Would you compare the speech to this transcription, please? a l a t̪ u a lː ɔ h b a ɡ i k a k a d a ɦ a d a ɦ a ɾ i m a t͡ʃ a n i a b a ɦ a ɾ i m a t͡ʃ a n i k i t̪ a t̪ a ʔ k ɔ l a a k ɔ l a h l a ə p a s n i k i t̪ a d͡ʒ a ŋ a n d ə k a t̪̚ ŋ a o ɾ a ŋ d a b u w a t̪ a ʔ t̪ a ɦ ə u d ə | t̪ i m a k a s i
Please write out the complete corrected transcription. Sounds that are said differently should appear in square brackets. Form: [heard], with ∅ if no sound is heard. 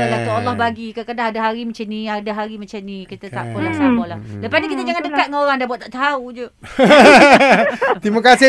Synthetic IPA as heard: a l a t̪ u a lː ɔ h b a ɡ i k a k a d a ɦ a d a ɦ a ɾ i m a t͡ʃ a n i a [d] a ɦ a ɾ i m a t͡ʃ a n i k i t̪ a t̪ a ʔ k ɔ l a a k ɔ l a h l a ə p a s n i k i t̪ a d͡ʒ a ŋ a n d ə k a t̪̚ ŋ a o ɾ a ŋ d a b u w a t̪ a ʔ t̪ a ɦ [a] u [d͡ʒ] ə | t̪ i m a k a s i